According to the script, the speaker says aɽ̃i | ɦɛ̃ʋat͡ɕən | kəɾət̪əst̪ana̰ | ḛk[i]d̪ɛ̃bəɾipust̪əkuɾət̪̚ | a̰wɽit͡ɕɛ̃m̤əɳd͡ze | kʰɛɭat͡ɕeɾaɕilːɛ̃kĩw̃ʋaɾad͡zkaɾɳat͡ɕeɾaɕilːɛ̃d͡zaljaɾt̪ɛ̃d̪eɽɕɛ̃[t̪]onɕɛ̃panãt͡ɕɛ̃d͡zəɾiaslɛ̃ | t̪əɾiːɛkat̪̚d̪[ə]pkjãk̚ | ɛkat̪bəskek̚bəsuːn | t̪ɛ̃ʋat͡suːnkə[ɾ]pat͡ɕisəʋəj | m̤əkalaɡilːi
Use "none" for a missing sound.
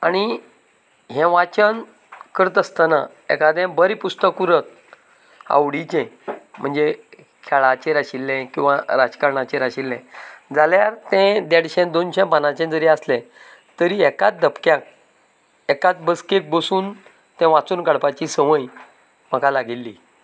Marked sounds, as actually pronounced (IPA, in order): a, d̪, ə, ɽ

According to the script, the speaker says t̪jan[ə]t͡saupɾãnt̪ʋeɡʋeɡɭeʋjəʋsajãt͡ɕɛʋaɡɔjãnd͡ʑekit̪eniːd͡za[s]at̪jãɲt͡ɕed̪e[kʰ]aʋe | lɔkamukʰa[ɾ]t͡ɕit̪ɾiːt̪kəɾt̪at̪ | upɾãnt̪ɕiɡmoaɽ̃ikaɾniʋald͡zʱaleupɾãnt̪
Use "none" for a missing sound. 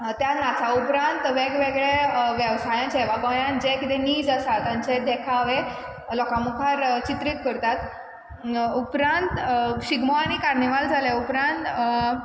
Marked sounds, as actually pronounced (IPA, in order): a, s, kʰ, ɾ

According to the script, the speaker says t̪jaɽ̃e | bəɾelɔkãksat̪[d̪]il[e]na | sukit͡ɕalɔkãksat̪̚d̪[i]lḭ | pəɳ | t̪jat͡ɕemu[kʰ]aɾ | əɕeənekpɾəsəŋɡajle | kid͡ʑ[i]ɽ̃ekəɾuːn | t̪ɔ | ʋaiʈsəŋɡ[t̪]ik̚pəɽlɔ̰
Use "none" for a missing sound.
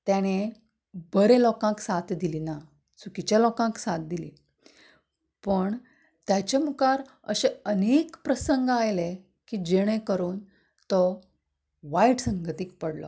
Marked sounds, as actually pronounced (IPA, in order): d̪, i, i, k, e, t̪

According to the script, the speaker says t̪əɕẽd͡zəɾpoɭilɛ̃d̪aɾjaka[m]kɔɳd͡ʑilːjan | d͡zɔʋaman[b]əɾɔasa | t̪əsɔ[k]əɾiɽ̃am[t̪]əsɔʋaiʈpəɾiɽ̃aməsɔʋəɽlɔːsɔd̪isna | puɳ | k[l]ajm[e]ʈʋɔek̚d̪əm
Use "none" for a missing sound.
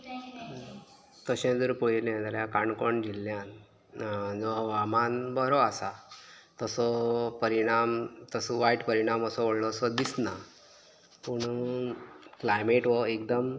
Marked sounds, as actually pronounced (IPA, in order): ɳ, b, p, t̪, l, e

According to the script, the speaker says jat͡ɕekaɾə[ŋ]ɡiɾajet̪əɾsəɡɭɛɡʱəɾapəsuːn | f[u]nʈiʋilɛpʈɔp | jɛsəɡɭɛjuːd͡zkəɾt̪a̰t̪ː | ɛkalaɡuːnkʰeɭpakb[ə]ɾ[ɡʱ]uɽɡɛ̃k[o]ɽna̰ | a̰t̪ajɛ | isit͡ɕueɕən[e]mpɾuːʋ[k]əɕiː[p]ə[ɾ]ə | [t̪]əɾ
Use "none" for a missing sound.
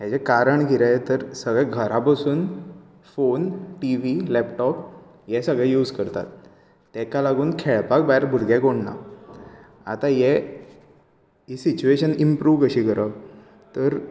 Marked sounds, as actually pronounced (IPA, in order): ɳ, o, a, bʱ, o, i, k, k, ɾ, t̪

